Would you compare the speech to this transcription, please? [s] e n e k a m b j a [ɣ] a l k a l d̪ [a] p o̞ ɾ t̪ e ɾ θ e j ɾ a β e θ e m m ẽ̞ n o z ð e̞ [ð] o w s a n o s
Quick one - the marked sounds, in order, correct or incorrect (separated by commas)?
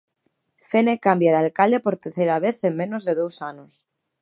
incorrect, incorrect, incorrect, correct